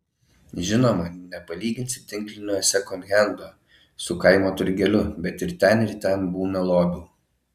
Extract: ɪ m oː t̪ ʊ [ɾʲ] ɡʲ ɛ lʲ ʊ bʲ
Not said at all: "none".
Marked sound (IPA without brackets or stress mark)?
ɾʲ